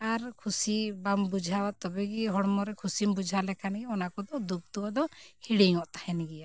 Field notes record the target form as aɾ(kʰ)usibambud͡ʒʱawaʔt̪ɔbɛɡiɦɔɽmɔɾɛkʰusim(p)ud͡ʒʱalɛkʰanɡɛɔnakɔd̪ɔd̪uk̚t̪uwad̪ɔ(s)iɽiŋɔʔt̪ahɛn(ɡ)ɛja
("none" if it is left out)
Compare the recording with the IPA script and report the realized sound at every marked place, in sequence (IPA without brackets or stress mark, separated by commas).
kʰ, b, h, ɡ